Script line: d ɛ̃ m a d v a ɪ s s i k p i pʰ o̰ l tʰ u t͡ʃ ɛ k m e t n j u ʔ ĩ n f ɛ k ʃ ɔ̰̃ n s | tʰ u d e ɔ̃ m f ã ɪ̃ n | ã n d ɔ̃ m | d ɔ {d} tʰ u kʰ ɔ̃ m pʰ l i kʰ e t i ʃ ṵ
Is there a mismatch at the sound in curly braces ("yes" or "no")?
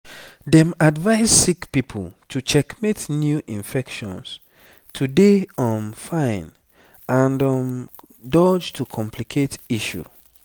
yes